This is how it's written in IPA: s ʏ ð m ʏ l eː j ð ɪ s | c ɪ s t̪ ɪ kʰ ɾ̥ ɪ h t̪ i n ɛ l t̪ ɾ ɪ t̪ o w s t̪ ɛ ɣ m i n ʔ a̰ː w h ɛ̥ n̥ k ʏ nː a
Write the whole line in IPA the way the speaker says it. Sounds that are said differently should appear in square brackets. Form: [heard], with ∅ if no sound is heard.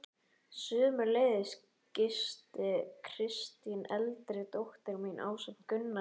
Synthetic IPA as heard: s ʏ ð m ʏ l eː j ð ɪ s | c ɪ s t̪ ɪ kʰ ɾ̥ ɪ [s] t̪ i n ɛ l t̪ ɾ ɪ t̪ o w [h] t̪ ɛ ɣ m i n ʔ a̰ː w [s] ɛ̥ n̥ k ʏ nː a